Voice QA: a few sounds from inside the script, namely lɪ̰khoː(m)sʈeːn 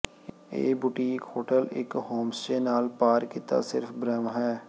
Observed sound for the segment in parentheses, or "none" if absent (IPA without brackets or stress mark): m